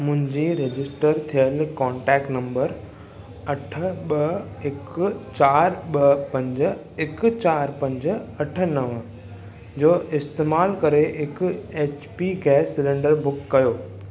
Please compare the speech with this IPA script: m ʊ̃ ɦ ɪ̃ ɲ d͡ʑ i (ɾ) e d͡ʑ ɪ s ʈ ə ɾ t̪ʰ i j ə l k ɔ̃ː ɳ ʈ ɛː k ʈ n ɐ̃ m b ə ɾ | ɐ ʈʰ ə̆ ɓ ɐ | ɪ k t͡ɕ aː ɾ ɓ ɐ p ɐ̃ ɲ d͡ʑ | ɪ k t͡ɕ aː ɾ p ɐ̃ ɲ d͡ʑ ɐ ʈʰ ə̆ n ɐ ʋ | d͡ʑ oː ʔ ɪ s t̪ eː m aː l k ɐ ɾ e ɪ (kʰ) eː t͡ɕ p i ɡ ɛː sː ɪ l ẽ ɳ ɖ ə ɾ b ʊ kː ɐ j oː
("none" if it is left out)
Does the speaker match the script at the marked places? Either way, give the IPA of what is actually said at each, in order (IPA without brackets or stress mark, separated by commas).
ɾ, k